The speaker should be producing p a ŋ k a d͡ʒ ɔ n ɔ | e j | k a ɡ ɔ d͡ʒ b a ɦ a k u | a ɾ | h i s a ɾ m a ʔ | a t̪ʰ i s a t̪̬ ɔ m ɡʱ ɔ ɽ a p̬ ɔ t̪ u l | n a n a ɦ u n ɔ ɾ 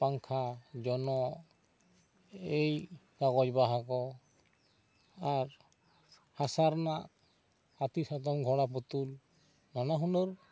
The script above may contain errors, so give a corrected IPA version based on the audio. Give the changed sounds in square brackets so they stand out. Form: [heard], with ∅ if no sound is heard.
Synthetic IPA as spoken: p a ŋ [kʰ] a d͡ʒ ɔ n ɔ | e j | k a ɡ ɔ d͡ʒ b a ɦ a k [ɔ] | a ɾ | h [a] s a ɾ [n] a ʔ | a [t̪] i s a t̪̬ ɔ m ɡʱ ɔ ɽ a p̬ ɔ t̪ u l | n a n a ɦ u n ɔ ɾ